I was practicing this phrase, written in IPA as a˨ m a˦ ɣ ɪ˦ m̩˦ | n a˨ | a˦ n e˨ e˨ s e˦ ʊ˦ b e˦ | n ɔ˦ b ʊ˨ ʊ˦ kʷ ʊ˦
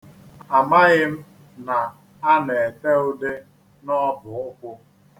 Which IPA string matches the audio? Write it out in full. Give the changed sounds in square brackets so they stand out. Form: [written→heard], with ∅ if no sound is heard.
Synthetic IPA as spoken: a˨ m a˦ ɣ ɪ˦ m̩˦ | n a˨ | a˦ n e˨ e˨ [s→t] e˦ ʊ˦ [b→d] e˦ | n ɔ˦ b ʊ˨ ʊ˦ kʷ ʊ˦